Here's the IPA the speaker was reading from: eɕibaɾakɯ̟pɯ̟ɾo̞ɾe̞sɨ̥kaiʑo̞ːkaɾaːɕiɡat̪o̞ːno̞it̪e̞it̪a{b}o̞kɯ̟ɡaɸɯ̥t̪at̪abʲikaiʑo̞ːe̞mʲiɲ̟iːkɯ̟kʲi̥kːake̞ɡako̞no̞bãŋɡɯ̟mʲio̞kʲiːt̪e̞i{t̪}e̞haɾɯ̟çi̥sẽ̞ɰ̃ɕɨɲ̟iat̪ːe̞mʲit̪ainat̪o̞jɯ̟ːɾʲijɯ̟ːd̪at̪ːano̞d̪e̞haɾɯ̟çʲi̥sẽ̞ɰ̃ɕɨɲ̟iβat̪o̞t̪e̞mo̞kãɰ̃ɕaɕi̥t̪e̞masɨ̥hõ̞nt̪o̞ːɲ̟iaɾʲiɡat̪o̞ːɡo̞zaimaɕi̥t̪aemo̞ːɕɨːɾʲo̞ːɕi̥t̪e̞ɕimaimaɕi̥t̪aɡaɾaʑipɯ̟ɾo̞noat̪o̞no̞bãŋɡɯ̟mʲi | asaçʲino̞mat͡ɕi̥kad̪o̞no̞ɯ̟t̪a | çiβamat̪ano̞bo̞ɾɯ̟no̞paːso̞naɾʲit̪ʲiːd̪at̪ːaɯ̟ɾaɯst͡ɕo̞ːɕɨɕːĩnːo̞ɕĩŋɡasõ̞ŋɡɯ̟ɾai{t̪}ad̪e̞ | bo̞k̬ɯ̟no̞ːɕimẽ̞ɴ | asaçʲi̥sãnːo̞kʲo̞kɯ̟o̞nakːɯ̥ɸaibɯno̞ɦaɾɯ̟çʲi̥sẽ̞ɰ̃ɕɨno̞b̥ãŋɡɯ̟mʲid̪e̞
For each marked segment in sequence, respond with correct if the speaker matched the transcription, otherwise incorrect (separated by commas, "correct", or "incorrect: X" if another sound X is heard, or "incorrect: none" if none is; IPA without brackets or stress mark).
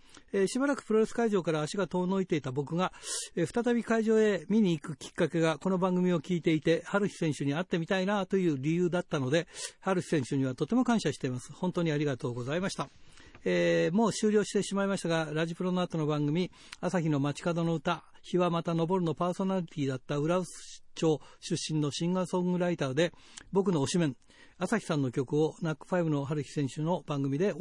correct, correct, correct